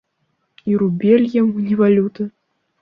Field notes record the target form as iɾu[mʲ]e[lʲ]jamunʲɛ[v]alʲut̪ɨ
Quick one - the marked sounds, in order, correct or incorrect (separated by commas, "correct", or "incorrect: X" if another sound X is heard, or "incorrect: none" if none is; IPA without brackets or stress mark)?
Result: incorrect: bʲ, correct, correct